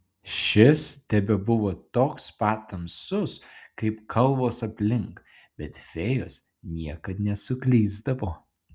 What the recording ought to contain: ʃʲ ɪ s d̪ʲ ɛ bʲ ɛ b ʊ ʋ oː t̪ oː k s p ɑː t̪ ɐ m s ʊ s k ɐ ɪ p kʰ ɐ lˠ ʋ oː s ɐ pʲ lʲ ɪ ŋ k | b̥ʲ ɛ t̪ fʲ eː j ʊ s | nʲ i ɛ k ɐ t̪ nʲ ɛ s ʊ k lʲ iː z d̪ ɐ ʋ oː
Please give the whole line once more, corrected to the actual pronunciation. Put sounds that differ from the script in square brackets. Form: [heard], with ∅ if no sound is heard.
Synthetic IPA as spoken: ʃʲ ɪ s [t̪ʲ] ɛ bʲ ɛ b ʊ ʋ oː t̪ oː k s p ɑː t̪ ɐ m s ʊ s k ɐ ɪ p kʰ ɐ lˠ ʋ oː s ɐ pʲ lʲ ɪ ŋ k | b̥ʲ ɛ t̪ fʲ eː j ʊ s | nʲ i ɛ k ɐ t̪ nʲ ɛ s ʊ k lʲ iː z d̪ ɐ ʋ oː